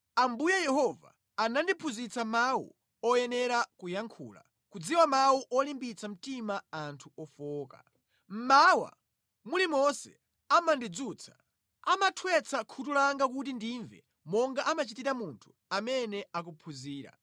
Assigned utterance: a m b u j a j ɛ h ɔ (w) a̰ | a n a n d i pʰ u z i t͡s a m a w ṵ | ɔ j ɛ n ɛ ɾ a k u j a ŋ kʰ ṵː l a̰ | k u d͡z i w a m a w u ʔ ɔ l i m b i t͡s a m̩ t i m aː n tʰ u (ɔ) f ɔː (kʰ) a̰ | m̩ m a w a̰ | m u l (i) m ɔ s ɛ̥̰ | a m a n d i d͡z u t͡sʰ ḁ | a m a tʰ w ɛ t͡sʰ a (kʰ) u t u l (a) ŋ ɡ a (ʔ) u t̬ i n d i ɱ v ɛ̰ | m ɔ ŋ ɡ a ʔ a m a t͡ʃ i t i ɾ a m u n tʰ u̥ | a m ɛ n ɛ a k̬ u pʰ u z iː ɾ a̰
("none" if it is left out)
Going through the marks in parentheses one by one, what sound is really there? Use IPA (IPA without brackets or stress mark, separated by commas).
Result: v, ɔ, k, i, kʰ, a, k